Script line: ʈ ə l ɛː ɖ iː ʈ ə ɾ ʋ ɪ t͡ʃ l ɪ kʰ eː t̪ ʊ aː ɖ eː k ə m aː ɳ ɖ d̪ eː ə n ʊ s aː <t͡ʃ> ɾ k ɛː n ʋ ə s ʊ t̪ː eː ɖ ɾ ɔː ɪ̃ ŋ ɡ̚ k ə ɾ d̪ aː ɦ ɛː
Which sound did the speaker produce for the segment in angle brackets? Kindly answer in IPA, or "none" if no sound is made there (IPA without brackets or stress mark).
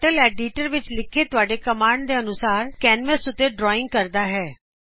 none